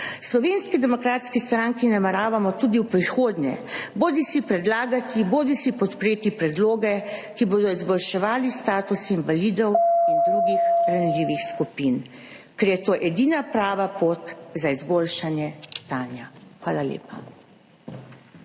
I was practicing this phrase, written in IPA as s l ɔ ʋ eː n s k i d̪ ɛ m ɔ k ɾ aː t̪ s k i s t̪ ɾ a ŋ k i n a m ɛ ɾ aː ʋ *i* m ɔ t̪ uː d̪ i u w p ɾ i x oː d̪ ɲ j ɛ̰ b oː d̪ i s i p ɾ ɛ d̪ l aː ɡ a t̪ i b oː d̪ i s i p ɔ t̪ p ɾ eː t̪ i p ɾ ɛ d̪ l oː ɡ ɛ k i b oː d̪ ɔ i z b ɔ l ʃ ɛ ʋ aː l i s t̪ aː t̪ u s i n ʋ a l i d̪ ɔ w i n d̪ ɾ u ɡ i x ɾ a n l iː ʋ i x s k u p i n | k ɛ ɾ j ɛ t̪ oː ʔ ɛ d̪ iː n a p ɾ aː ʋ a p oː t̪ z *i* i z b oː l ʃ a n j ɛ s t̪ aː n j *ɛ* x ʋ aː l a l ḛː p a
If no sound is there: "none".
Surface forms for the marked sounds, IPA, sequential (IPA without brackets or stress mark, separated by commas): a, a, a